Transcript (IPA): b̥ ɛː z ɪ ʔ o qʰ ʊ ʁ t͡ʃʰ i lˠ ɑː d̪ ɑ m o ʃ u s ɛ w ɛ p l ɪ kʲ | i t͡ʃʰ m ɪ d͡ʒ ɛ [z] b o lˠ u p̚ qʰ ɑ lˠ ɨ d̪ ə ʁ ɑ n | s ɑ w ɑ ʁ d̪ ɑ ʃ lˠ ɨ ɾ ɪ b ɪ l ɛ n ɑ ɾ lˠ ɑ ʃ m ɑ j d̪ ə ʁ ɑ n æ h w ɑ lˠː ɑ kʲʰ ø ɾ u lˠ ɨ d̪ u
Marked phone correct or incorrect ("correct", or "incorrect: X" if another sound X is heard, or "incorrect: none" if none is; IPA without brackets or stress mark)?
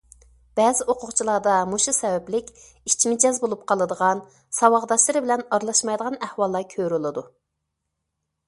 correct